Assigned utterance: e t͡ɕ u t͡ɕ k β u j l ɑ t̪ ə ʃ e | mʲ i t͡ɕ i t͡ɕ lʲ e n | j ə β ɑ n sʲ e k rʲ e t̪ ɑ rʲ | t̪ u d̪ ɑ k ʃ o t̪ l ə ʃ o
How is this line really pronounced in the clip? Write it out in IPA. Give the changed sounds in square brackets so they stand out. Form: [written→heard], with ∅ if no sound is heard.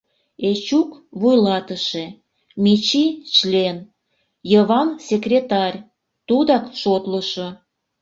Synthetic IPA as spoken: e t͡ɕ u [t͡ɕ→∅] k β u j l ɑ t̪ ə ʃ e | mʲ i t͡ɕ i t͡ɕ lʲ e n | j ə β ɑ n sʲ e k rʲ e t̪ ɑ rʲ | t̪ u d̪ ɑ k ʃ o t̪ l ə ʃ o

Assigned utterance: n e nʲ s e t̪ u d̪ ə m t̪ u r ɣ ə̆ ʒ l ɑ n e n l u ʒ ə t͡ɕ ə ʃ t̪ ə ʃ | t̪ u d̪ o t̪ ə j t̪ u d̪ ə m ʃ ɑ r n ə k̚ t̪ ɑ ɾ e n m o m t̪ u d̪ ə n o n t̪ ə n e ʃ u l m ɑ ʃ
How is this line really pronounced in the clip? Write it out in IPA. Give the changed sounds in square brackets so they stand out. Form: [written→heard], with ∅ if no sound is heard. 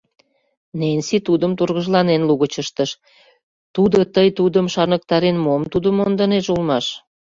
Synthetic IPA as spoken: n e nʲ s [e→i] t̪ u d̪ ə m t̪ u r ɣ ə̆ ʒ l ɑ n e n l u [ʒ→ɣ] ə t͡ɕ ə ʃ t̪ ə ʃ | t̪ u d̪ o t̪ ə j t̪ u d̪ ə m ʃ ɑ r n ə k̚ t̪ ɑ ɾ e n m o m t̪ u d̪ ə [n→m] o n [t̪→d̪] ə n e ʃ u l m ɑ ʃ

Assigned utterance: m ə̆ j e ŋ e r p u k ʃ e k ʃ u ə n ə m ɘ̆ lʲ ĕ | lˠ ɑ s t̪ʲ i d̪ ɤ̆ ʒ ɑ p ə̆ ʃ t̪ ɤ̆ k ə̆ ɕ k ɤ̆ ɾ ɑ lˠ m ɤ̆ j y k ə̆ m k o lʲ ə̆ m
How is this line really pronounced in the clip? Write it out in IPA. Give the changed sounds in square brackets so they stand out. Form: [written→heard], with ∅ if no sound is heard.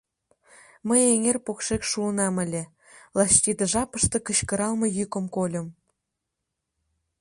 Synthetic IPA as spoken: m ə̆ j e ŋ e r p [u→o] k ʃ e k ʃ u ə n [ə→ɑ] m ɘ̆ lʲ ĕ | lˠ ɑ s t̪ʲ i d̪ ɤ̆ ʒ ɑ p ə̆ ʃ t̪ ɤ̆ k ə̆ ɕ k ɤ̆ ɾ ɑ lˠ m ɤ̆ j y k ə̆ m k o lʲ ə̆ m

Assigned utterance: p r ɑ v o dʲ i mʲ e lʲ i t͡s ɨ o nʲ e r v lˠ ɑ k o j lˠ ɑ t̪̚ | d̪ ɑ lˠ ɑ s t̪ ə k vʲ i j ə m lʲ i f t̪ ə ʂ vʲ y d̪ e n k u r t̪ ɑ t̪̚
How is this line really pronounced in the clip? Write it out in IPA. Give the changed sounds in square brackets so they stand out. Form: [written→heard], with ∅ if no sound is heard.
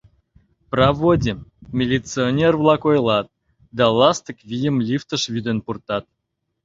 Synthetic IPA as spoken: p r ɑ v o dʲ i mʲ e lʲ i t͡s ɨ o nʲ e r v lˠ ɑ k o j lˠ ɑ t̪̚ | d̪ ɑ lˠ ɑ s t̪ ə k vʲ i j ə m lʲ i f t̪ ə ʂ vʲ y d̪ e n [k→p] u r t̪ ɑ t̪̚

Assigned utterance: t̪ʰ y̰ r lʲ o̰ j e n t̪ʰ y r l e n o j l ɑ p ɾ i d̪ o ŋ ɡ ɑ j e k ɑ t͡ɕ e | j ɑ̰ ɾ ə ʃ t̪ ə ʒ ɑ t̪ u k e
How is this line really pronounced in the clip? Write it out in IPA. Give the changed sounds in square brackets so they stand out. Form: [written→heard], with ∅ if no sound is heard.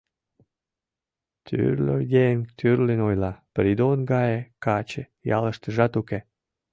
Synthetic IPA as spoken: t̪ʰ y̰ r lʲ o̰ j e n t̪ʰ y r l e n o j l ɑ p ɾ i d̪ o [ŋ→n] ɡ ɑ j e k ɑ t͡ɕ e | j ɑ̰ [ɾ→l] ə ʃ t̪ ə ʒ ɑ t̪ u k e

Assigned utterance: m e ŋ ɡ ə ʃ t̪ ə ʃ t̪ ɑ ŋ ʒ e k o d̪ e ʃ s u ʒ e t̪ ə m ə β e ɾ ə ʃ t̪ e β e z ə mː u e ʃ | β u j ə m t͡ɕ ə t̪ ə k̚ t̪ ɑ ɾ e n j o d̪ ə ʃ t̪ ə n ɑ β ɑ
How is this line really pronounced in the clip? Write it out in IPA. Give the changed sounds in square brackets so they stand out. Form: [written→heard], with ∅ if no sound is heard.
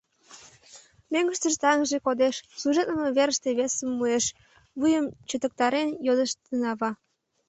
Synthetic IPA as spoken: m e ŋ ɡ ə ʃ t̪ ə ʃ t̪ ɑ ŋ ʒ e k o d̪ e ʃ s u ʒ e t̪ ə m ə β e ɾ ə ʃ t̪ e β e [z→s] ə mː u e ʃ | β u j ə m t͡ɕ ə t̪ ə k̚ t̪ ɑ ɾ e n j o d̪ ə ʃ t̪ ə n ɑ β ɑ

